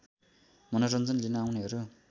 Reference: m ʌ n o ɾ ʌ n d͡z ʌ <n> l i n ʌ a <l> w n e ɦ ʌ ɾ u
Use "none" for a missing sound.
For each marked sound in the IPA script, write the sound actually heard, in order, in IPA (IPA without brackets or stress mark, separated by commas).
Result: n, none